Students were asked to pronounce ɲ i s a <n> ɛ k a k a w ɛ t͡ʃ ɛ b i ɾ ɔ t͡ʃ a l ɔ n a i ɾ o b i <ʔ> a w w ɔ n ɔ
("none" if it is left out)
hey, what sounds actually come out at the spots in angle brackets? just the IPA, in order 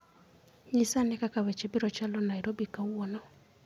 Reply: n, k

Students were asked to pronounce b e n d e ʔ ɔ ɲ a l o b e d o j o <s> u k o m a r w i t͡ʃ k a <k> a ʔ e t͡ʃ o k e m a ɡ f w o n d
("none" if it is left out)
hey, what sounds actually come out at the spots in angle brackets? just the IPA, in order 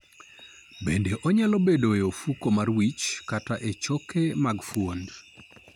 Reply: f, t

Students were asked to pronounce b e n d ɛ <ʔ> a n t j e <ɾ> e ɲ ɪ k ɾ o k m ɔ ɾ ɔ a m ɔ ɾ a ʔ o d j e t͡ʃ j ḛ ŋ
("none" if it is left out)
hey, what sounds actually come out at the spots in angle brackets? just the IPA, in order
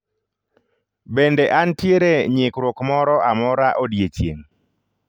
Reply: ʔ, ɾ

